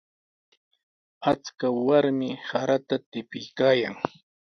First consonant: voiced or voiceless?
voiceless